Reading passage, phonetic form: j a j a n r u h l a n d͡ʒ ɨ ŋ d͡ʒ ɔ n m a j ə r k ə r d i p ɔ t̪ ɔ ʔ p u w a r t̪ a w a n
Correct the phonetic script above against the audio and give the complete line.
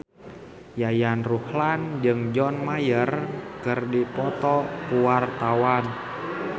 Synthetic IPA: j a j a n r u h l a n d͡ʒ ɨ ŋ d͡ʒ ɔ n m a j ə r k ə r d i p ɔ t̪ ɔ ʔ p u w a r t̪ a w a n